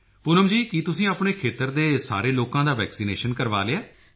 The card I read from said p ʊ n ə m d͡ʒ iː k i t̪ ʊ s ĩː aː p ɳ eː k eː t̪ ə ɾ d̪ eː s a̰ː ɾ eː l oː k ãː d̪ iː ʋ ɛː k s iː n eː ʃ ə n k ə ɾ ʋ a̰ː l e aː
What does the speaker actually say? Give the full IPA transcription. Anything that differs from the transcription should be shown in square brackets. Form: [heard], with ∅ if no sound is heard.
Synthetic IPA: p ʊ n ə m d͡ʒ iː k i t̪ ʊ s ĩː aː p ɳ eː [kʰ] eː t̪ ə ɾ d̪ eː s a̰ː ɾ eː l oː k ãː d̪ [aː] ʋ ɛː k s iː n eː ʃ ə n k ə ɾ ʋ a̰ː l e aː

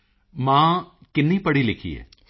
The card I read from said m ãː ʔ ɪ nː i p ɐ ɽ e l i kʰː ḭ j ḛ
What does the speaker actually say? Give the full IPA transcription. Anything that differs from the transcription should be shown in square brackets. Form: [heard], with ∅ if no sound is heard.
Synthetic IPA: m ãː [k] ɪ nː i p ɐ ɽ [i] l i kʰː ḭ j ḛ

